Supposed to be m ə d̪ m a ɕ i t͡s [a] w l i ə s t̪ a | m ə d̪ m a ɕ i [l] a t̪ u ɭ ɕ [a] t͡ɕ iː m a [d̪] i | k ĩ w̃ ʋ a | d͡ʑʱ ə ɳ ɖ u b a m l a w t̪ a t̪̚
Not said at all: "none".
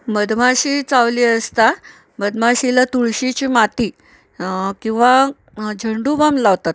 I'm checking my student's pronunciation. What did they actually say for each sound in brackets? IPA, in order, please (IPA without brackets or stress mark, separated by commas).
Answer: a, l, i, t̪